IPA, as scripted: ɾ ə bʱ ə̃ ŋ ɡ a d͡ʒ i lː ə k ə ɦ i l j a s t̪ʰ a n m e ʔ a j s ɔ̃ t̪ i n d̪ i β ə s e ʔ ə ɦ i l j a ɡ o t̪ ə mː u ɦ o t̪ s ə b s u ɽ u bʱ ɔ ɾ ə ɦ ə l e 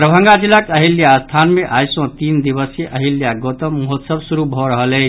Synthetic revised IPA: ɾ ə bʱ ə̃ ŋ ɡ a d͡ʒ i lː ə k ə ɦ i l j a s t̪ʰ a n m e ʔ a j s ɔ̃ t̪ i n d̪ i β ə s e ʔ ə ɦ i l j a ɡ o t̪ ə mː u ɦ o t̪ s ə b s u ɾ u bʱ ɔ ɾ ə ɦ ə l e